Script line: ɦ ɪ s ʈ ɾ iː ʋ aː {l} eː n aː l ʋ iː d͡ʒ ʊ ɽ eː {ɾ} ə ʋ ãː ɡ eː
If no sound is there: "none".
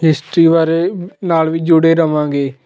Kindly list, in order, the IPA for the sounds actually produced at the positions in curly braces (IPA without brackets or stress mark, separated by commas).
ɾ, ɾ